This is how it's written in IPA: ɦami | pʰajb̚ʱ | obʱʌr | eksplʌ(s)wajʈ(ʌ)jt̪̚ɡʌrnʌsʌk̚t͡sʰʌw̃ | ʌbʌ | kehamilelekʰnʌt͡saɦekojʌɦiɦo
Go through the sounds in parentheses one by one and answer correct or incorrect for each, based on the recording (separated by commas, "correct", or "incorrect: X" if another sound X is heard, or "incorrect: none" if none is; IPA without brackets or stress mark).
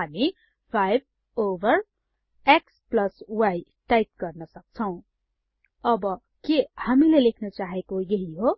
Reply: correct, incorrect: a